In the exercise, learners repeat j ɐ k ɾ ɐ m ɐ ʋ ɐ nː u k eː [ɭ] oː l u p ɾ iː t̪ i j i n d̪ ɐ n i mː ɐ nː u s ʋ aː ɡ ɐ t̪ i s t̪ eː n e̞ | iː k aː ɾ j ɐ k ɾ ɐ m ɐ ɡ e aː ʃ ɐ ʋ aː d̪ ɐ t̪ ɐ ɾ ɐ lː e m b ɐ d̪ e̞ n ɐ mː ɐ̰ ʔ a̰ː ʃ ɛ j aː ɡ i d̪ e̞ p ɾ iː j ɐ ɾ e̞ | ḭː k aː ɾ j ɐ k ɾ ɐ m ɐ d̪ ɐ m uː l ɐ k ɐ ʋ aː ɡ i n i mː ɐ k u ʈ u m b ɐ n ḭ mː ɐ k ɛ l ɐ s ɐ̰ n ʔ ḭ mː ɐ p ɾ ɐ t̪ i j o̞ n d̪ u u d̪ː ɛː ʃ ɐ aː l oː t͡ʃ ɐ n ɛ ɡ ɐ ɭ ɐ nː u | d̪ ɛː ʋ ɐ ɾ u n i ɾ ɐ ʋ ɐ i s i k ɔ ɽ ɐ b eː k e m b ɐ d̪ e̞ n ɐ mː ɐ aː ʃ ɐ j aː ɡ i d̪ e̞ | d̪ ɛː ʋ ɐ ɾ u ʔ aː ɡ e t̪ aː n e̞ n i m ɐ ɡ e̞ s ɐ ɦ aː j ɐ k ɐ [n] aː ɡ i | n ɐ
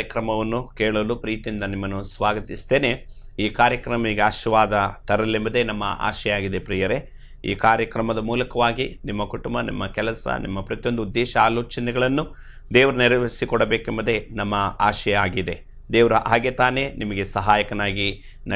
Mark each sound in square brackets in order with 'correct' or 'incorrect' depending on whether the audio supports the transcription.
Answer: correct, correct

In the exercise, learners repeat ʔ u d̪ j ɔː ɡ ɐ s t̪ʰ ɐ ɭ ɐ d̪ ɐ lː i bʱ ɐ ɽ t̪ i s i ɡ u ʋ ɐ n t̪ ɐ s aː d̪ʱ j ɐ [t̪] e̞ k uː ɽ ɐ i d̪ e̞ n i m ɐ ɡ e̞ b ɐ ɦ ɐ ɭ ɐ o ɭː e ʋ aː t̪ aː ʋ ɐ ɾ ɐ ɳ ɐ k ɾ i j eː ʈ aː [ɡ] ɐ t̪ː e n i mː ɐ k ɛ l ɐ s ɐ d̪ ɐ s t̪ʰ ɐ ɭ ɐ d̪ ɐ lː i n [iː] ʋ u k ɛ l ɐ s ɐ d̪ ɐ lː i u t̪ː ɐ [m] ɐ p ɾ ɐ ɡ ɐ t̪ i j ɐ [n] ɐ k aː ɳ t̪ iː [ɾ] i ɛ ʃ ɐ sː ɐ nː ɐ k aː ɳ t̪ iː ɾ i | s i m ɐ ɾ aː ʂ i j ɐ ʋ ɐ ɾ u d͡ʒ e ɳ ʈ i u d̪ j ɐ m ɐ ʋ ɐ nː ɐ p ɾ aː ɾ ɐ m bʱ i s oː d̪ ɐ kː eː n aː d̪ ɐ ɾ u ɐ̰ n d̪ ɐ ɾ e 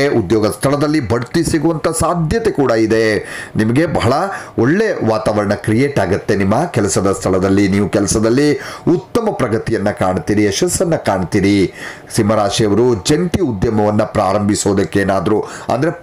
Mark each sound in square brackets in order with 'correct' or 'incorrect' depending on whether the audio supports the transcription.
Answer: correct, correct, correct, correct, incorrect: nː, correct

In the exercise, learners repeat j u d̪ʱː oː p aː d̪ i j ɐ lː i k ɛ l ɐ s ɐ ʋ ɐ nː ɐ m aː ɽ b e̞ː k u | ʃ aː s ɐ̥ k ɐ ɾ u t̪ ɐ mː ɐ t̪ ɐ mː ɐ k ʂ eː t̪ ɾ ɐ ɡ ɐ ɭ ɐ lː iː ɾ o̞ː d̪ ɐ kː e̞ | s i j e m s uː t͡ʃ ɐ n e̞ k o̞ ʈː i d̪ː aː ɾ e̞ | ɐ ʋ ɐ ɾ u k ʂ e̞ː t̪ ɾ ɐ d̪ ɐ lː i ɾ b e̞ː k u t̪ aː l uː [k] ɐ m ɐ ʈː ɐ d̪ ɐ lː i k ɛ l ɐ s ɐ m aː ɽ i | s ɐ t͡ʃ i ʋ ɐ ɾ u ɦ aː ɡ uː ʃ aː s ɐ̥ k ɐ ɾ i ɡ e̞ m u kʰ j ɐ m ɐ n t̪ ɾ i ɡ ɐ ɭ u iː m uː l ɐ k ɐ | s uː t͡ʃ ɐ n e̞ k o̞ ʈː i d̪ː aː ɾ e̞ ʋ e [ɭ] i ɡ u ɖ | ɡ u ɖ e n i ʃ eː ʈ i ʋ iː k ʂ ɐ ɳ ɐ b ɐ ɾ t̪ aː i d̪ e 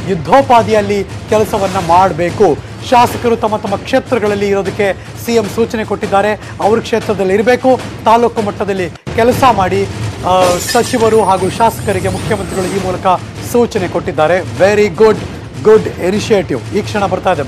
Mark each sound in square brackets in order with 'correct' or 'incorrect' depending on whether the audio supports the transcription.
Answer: correct, incorrect: ɾ

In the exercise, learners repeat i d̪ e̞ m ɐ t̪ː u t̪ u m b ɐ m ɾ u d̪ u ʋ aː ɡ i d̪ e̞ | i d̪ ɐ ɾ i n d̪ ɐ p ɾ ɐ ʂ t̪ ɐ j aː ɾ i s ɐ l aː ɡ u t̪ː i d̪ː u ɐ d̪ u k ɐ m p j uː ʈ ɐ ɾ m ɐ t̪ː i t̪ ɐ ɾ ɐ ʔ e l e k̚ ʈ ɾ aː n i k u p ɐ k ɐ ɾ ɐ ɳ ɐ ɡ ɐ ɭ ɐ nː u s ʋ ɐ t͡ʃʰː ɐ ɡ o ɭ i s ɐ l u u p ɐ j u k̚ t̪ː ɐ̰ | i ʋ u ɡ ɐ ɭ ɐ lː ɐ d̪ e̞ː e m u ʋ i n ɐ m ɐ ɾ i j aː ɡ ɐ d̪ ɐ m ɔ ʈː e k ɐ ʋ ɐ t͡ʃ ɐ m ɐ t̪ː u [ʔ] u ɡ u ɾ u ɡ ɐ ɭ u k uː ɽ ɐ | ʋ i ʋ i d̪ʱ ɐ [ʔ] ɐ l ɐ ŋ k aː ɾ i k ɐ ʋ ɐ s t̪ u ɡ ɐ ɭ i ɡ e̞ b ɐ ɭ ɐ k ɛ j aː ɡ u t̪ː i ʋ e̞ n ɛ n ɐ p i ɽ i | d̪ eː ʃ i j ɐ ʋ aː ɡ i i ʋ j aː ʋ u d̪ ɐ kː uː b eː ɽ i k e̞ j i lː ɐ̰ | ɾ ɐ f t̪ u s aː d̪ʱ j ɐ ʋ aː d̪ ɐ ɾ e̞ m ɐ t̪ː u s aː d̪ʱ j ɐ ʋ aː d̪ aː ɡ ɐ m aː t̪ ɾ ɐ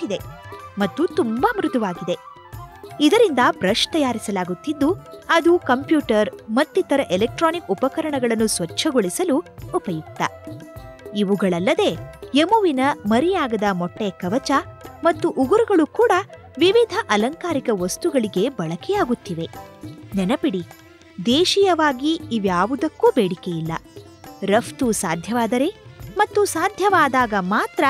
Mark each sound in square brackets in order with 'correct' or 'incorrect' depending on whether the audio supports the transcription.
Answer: correct, correct

